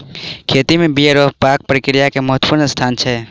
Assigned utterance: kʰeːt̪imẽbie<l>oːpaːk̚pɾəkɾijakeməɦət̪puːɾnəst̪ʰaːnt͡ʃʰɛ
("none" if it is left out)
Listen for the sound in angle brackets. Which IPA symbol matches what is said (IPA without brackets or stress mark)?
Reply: ɾ